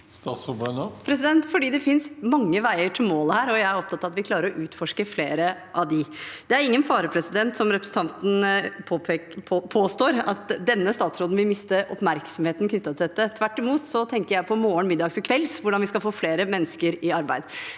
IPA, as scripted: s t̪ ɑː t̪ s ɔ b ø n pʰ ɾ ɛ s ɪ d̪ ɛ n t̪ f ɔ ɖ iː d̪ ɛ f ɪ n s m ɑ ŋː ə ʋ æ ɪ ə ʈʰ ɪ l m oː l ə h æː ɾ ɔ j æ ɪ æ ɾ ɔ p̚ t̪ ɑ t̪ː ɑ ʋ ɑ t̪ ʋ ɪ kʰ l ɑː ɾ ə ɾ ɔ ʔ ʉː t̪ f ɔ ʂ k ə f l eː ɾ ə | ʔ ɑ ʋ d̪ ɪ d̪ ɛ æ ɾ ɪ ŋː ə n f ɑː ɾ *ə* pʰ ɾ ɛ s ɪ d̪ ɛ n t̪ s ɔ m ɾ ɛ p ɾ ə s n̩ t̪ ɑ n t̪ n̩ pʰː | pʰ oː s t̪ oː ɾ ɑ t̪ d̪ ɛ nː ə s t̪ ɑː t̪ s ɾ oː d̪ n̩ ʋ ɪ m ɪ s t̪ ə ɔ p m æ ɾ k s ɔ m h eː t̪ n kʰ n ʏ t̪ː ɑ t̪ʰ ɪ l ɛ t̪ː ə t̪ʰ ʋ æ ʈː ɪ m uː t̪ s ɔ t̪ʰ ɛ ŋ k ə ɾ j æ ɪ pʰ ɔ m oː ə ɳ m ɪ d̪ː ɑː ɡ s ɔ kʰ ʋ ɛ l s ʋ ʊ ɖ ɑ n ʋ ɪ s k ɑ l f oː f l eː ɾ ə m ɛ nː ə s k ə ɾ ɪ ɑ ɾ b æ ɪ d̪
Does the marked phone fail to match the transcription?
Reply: no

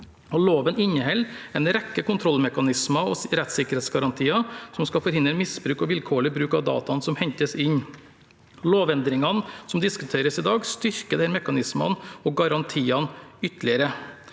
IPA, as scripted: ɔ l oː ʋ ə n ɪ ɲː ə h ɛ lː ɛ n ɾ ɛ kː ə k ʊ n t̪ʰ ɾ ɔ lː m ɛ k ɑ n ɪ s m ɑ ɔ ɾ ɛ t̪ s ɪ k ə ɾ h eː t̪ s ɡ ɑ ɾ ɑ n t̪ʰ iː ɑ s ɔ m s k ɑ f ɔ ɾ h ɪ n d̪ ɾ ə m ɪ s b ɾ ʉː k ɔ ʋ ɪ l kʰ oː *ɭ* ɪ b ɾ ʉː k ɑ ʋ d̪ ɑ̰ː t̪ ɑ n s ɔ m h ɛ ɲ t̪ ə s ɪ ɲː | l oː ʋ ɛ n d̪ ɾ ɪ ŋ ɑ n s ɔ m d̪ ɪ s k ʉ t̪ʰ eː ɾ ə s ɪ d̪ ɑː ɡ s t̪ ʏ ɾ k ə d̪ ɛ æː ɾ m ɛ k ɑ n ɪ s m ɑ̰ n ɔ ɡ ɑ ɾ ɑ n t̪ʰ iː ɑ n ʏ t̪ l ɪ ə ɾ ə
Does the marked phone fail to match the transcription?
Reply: no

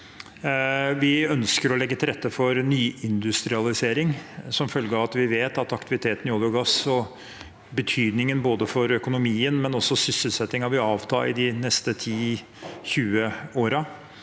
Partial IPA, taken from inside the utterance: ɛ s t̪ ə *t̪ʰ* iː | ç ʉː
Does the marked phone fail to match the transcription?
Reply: no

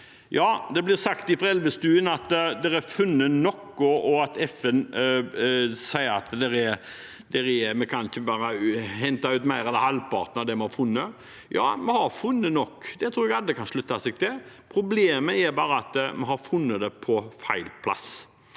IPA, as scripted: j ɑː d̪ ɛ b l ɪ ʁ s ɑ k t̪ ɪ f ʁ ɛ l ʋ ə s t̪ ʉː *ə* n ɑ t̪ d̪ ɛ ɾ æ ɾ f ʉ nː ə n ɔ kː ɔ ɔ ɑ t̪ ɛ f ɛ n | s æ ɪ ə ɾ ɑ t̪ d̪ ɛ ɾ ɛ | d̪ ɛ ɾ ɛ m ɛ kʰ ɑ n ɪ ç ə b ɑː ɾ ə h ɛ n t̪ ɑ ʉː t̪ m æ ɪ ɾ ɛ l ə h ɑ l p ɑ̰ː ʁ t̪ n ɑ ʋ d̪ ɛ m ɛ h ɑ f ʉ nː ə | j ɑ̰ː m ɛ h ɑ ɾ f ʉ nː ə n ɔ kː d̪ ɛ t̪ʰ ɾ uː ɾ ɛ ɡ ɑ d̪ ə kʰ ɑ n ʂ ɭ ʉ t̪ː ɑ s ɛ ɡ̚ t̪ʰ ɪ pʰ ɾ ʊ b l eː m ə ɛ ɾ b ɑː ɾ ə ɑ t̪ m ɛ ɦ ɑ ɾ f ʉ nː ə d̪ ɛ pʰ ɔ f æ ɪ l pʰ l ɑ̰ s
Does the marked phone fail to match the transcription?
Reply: no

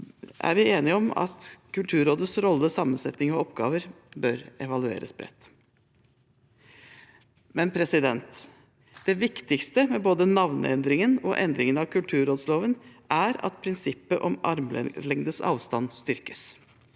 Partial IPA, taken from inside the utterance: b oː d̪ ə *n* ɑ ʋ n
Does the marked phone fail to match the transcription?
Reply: no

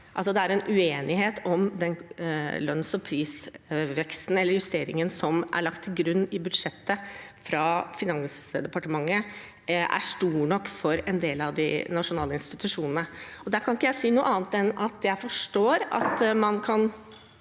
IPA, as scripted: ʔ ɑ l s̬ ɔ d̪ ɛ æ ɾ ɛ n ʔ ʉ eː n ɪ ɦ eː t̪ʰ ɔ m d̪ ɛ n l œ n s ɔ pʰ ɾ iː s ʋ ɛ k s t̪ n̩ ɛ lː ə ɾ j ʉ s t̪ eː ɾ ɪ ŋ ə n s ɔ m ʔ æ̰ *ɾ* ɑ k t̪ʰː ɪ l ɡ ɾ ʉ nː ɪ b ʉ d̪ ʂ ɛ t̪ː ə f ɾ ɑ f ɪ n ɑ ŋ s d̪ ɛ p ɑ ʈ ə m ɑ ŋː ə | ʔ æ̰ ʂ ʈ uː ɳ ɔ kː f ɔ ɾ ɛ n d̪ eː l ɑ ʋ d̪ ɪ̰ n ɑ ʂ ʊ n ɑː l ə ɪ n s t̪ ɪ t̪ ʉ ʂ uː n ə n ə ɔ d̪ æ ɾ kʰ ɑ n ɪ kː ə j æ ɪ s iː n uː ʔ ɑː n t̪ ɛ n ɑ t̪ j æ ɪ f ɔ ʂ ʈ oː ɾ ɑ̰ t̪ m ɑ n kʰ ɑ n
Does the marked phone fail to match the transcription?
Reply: yes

